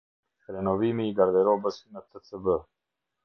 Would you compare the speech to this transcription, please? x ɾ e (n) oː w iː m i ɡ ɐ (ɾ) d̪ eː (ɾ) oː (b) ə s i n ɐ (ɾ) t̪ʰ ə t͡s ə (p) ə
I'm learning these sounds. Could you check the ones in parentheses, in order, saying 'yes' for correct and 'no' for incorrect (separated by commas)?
yes, yes, yes, yes, no, no